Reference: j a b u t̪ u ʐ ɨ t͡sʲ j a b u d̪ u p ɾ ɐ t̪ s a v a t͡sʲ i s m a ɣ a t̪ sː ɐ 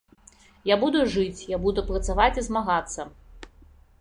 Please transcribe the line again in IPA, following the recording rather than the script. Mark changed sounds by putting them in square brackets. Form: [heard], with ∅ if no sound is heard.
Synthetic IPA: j a b u [d̪] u ʐ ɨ t͡sʲ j a b u d̪ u p ɾ ɐ t̪ s a v a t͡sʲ i [z] m a ɣ a t̪ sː ɐ